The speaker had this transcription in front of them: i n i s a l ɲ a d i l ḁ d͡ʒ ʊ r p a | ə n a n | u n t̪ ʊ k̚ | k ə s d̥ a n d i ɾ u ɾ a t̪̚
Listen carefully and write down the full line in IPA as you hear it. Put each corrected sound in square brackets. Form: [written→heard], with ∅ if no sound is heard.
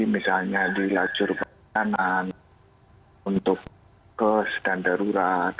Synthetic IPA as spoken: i [n→m] i s a l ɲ a d i l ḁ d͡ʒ ʊ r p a | [ə→a] n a n | u n t̪ ʊ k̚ | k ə s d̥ a n d [i→a] ɾ u ɾ a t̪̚